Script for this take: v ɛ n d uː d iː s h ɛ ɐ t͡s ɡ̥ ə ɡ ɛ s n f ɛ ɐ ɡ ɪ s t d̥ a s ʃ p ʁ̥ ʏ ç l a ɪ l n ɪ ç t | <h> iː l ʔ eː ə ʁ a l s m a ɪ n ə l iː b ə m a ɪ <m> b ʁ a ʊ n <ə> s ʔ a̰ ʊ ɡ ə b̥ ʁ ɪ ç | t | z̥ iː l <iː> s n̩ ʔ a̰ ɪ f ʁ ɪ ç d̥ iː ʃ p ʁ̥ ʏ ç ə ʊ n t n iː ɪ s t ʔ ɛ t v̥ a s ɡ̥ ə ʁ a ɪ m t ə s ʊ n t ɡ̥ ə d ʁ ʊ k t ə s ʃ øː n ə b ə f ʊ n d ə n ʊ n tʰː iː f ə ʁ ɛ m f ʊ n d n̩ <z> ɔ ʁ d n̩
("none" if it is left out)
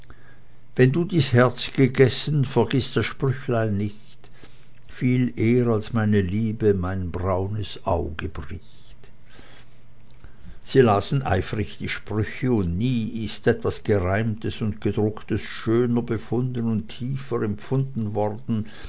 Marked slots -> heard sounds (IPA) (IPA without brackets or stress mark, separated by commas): f, n, ə, aː, v